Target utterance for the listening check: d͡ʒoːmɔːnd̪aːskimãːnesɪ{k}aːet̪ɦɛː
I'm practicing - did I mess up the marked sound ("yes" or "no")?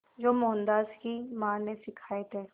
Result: yes